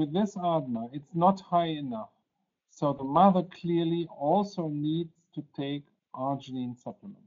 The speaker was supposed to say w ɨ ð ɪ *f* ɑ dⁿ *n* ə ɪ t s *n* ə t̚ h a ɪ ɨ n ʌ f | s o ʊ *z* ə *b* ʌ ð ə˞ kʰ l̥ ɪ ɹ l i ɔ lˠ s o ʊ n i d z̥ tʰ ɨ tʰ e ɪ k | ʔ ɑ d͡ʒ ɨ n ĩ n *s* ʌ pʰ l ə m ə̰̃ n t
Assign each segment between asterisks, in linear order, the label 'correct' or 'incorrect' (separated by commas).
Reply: incorrect, correct, correct, incorrect, incorrect, correct